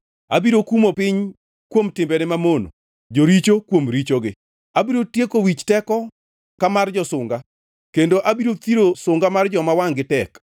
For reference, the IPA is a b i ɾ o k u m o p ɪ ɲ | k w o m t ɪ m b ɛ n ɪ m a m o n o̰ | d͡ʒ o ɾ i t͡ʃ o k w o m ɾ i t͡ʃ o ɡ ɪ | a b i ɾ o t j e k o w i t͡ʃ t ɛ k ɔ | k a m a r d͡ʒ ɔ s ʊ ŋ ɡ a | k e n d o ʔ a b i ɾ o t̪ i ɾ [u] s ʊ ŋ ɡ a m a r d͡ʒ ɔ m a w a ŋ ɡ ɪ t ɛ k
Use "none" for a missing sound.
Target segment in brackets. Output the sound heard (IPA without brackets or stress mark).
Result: o